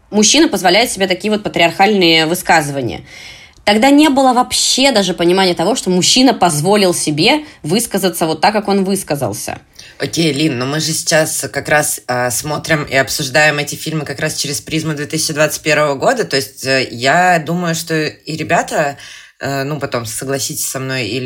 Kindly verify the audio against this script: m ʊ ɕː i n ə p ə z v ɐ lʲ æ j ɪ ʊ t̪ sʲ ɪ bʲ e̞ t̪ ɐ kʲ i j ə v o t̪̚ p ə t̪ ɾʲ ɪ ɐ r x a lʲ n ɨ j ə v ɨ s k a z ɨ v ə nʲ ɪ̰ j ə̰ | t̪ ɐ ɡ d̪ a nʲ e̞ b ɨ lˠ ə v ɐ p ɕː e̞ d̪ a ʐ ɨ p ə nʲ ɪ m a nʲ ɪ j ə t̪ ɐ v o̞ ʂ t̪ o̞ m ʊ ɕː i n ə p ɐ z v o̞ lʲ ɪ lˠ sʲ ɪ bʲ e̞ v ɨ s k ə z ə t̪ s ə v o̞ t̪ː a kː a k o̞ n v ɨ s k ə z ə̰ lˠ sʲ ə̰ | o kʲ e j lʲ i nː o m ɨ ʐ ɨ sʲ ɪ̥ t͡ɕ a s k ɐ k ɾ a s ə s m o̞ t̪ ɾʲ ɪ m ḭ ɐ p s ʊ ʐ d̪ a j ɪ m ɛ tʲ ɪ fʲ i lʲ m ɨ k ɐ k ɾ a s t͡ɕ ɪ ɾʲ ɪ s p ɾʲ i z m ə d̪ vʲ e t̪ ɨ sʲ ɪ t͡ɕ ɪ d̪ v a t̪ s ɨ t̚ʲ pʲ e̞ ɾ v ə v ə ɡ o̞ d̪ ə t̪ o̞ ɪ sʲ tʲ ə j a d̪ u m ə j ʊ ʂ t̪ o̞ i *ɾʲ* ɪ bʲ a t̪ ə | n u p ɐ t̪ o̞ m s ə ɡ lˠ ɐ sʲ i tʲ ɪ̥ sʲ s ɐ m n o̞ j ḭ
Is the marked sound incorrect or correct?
correct